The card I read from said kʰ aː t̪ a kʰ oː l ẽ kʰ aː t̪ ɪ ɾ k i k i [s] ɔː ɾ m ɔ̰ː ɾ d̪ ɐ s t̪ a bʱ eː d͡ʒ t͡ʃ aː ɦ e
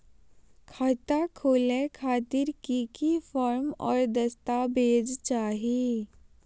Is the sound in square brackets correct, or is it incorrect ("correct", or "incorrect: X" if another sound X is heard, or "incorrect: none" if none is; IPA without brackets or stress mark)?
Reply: incorrect: f